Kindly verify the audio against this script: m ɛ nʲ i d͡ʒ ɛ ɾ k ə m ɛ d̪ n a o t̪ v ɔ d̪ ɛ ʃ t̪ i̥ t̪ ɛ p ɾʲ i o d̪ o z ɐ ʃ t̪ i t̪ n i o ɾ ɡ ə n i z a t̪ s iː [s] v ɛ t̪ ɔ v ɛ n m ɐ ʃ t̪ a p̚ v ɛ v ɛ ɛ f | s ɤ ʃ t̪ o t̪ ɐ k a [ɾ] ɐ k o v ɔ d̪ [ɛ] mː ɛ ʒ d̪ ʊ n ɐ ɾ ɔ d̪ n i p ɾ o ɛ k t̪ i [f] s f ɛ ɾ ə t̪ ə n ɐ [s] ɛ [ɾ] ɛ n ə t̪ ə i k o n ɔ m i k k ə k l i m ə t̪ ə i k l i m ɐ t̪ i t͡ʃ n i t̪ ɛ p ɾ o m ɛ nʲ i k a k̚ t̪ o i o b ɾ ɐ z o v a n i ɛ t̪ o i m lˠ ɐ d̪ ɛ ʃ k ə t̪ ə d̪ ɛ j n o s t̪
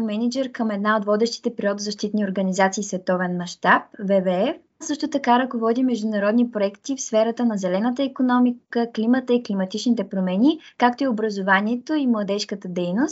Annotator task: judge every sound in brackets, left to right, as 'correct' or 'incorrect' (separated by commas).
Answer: correct, correct, incorrect, correct, incorrect, incorrect